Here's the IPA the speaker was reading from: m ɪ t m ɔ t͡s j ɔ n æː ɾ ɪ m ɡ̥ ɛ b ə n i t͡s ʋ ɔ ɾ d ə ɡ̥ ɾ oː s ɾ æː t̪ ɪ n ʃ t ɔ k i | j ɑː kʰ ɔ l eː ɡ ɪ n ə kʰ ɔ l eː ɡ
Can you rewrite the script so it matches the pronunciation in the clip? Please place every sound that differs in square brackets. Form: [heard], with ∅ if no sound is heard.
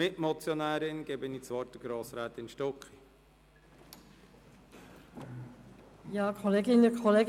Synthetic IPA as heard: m ɪ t m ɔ t͡s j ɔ n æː ɾ ɪ [n] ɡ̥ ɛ b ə n i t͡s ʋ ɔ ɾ [t] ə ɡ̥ ɾ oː s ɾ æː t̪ ɪ n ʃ t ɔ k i | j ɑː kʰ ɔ l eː ɡ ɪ n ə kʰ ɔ l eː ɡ